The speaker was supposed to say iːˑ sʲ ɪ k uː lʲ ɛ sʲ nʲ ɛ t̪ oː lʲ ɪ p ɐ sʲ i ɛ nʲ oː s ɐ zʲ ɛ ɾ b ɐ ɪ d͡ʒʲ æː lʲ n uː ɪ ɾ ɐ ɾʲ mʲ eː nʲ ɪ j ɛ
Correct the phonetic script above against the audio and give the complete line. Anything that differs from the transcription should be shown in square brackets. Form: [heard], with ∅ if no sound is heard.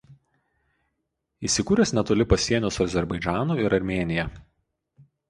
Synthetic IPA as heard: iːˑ sʲ ɪ k uː [ɾʲ] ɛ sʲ nʲ ɛ t̪ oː lʲ ɪ p ɐ sʲ i ɛ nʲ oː s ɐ zʲ ɛ ɾ b ɐ ɪ d͡ʒʲ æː [∅] n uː ɪ ɾ ɐ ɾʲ mʲ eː nʲ ɪ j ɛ

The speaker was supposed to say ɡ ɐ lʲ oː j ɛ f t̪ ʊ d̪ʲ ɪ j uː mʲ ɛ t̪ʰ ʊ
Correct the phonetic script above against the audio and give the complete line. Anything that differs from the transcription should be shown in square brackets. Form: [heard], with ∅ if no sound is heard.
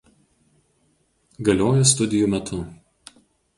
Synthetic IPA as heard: ɡ ɐ lʲ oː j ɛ [s] t̪ ʊ d̪ʲ ɪ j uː mʲ ɛ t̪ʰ ʊ

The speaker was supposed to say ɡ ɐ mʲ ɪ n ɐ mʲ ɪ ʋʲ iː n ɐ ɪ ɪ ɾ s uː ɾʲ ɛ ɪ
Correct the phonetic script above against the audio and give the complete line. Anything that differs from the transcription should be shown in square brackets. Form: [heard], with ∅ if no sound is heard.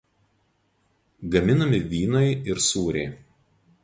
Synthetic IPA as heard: ɡ ɐ mʲ ɪ n ɐ mʲ ɪ ʋʲ iː n ɐ ɪ ɪ ɾ s uː ɾʲ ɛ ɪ

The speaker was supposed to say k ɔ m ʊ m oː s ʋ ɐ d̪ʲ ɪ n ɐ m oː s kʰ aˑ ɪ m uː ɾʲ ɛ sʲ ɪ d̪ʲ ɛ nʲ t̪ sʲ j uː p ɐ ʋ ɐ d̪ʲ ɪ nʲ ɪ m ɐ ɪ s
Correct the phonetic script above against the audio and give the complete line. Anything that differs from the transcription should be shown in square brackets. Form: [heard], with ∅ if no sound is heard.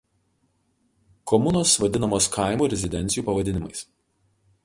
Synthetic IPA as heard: k ɔ m ʊ [n] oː s ʋ ɐ d̪ʲ ɪ n ɐ m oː s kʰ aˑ ɪ m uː ɾʲ ɛ [zʲ] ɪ d̪ʲ ɛ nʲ t̪ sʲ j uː p ɐ ʋ ɐ d̪ʲ ɪ nʲ ɪ m ɐ ɪ s

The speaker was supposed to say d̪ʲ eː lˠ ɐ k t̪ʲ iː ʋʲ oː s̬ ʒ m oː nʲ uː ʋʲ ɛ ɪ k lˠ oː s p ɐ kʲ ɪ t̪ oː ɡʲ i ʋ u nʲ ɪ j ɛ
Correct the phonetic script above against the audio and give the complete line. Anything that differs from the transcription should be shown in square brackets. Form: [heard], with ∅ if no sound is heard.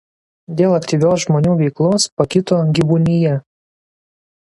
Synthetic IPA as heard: d̪ʲ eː lˠ ɐ k t̪ʲ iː ʋʲ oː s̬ ʒ m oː nʲ uː ʋʲ ɛ ɪ k lˠ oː s p ɐ kʲ ɪ t̪ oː ɡʲ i ʋ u nʲ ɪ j ɛ

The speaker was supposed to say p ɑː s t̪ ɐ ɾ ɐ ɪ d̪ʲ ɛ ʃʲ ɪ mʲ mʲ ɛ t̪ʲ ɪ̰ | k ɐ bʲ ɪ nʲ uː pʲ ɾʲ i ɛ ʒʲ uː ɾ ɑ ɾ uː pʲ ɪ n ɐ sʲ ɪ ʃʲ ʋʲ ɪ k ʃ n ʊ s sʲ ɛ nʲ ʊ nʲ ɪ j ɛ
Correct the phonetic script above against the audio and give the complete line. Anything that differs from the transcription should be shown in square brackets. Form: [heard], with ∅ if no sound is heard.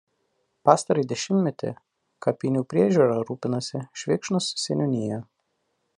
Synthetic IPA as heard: p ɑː s t̪ ɐ ɾ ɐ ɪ d̪ʲ ɛ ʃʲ ɪ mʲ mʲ ɛ t̪ʲ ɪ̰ | k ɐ [pʲ] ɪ nʲ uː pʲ ɾʲ i ɛ ʒʲ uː ɾ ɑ ɾ uː pʲ ɪ n ɐ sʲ ɪ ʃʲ ʋʲ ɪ k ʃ n ʊ s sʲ ɛ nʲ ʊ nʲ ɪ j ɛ

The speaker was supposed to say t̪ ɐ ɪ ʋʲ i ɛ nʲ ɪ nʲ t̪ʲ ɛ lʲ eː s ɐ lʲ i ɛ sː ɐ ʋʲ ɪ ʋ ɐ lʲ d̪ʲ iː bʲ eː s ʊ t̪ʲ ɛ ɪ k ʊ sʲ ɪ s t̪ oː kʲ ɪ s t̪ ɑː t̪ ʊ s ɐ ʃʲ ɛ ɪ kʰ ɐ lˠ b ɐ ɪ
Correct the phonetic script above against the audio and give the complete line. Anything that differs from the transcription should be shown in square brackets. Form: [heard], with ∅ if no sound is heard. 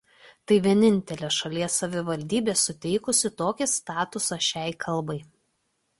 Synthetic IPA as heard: t̪ ɐ ɪ ʋʲ i ɛ nʲ ɪ nʲ t̪ʲ ɛ lʲ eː [ʃ] ɐ lʲ i ɛ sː ɐ ʋʲ ɪ ʋ ɐ lʲ d̪ʲ iː bʲ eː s ʊ t̪ʲ ɛ ɪ k ʊ sʲ ɪ [∅] t̪ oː kʲ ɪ s t̪ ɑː t̪ ʊ s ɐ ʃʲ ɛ ɪ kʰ ɐ lˠ b ɐ ɪ

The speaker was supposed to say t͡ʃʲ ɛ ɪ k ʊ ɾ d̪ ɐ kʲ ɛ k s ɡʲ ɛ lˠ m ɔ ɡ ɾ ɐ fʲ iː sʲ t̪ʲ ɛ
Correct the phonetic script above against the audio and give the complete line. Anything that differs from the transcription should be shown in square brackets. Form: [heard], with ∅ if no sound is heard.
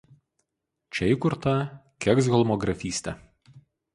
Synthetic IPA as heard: t͡ʃʲ ɛ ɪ k ʊ ɾ [t̪] ɐ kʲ ɛ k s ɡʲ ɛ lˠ m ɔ ɡ ɾ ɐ fʲ iː sʲ t̪ʲ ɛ

